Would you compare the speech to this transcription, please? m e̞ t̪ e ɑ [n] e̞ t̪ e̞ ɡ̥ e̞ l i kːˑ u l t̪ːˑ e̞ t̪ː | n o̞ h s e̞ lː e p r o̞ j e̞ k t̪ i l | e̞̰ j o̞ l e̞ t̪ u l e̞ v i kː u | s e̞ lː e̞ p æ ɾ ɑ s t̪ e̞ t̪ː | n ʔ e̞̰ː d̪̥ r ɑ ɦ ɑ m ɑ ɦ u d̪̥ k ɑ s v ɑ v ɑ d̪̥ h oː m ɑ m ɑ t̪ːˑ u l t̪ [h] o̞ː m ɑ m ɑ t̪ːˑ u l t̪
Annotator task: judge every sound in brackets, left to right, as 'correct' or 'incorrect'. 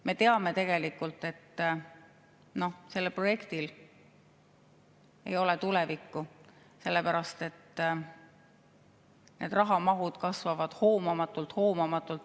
incorrect, correct

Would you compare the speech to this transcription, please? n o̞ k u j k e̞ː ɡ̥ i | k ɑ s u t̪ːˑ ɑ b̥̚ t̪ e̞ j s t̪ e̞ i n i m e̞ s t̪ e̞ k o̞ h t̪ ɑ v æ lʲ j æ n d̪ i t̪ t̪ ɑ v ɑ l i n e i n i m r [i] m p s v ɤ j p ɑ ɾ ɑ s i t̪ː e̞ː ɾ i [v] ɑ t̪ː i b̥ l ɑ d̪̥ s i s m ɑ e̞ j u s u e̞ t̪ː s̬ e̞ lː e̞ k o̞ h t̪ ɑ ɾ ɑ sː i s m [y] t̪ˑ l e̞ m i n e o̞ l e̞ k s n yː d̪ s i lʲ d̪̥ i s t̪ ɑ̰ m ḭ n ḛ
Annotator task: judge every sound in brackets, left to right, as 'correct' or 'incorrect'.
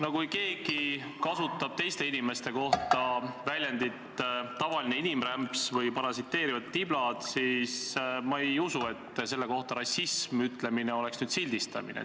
incorrect, correct, correct

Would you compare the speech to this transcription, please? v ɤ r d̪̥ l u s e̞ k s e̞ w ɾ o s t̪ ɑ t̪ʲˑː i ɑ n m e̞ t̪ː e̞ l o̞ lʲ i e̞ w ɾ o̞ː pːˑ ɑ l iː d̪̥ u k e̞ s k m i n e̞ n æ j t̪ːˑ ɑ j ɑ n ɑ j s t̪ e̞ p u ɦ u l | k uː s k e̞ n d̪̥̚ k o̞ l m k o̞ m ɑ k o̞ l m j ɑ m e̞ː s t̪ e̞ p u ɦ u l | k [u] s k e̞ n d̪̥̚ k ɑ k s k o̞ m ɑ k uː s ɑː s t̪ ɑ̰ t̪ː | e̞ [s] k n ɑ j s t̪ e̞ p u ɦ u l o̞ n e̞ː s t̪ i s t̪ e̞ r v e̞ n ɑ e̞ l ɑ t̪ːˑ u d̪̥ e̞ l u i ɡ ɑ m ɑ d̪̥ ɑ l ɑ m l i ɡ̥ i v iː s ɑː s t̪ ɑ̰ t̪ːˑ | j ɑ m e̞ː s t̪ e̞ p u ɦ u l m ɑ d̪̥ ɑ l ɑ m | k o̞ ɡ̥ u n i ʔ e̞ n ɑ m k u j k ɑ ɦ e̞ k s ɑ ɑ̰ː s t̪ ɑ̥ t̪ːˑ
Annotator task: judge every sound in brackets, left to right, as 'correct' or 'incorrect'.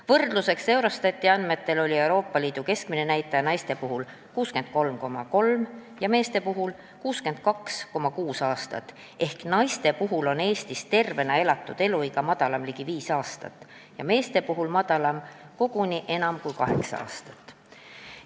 incorrect, incorrect

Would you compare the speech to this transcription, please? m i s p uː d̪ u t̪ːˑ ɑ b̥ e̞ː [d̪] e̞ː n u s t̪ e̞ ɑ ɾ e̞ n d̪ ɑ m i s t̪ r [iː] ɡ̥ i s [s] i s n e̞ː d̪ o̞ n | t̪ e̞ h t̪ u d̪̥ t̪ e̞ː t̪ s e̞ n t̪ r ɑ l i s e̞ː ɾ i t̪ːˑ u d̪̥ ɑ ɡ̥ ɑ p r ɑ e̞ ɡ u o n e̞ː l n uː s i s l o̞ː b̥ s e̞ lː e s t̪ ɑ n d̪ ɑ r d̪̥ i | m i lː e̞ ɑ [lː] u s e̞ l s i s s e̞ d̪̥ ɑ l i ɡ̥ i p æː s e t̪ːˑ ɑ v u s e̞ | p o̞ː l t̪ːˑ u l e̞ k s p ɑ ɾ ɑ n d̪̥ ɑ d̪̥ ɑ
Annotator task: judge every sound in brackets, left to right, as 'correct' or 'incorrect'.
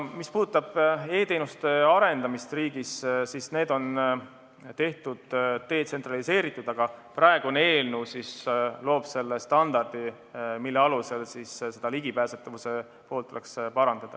incorrect, correct, correct, incorrect

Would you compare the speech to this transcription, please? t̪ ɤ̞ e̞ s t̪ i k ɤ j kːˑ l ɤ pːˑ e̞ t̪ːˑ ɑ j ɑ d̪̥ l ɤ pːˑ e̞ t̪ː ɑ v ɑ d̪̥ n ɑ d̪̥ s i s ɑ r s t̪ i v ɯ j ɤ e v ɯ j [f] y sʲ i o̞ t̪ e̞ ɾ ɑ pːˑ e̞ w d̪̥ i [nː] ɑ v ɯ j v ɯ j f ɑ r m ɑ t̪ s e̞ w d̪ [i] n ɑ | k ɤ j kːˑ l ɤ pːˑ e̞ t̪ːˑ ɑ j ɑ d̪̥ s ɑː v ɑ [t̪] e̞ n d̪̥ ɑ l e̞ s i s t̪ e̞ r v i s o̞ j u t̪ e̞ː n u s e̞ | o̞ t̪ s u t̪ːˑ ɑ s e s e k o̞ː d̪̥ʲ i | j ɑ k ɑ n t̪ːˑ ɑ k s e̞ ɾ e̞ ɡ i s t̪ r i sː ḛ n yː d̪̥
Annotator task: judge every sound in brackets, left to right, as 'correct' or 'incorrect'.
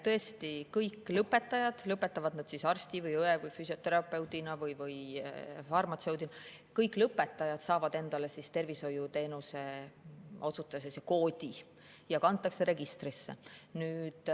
correct, incorrect, correct, incorrect

